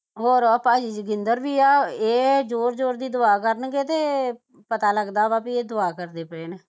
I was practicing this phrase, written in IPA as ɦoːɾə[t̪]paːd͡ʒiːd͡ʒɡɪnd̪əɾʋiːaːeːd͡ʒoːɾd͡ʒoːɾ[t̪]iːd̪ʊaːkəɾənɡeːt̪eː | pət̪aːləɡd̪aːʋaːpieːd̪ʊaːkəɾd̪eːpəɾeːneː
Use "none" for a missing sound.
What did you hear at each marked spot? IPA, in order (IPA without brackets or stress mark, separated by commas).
none, d̪